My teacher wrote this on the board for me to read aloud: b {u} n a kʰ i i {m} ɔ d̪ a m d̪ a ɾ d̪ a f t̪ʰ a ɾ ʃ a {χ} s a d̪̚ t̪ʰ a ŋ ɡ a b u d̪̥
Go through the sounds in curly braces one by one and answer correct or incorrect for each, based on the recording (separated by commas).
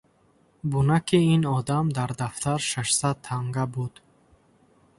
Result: correct, incorrect, incorrect